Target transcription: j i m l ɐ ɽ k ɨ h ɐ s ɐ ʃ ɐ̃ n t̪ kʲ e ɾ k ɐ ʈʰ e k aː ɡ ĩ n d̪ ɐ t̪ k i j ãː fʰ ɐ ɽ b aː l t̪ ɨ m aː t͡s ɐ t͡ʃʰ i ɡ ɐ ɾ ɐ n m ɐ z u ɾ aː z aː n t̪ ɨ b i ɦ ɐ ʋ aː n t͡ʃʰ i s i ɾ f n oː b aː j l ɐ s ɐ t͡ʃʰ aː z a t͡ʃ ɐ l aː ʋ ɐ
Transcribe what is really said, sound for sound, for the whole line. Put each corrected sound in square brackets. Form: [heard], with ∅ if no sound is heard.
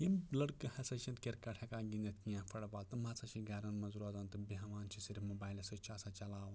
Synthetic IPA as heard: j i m l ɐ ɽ k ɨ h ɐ s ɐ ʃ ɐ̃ n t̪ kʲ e ɾ k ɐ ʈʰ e k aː ɡ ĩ n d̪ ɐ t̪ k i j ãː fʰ ɐ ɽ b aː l t̪ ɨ m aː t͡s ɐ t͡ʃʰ i ɡ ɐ ɾ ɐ n m ɐ z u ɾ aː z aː n t̪ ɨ b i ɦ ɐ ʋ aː n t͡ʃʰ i s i ɾ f [m] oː b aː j l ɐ s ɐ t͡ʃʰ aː [s] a t͡ʃ ɐ l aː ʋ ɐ